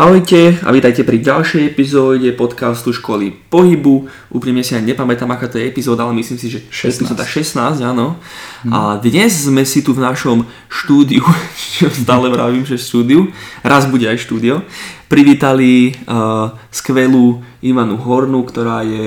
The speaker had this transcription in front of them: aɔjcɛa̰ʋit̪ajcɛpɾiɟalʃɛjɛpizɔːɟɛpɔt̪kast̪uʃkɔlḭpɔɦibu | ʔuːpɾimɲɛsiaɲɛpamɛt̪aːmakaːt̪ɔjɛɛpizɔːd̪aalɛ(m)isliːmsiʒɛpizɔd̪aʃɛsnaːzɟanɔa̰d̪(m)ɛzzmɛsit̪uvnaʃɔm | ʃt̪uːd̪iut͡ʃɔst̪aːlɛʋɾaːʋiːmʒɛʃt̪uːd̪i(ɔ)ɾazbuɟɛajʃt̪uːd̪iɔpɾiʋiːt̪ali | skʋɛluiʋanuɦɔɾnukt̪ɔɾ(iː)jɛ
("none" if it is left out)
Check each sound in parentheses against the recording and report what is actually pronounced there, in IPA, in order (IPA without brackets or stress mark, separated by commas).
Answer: m, ɲ, u, aː